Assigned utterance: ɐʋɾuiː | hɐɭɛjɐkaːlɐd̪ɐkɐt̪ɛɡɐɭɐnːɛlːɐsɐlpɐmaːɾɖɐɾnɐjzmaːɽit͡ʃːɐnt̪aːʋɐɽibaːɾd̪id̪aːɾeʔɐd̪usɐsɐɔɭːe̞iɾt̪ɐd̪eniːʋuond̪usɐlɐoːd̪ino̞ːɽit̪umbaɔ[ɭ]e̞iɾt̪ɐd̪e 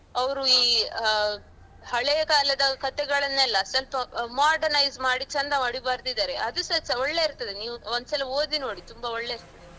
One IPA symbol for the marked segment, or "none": ɭː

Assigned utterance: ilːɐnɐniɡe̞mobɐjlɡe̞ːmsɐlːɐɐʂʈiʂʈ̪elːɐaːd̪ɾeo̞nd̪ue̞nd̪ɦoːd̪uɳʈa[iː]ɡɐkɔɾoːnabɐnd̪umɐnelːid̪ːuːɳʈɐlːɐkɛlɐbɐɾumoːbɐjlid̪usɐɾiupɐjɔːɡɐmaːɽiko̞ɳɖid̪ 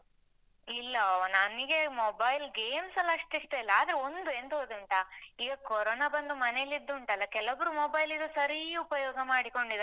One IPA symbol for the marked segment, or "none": iː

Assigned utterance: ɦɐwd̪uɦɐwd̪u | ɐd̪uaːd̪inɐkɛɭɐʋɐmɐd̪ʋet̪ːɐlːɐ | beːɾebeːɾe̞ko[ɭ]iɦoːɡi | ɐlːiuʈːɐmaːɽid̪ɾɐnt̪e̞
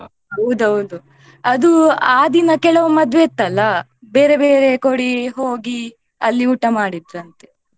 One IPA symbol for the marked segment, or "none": ɽ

